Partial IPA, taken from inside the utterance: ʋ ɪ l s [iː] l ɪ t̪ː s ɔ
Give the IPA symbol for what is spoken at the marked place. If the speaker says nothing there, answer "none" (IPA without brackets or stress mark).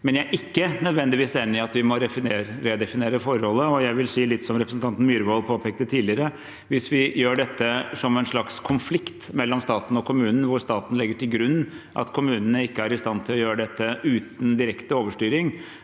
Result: iː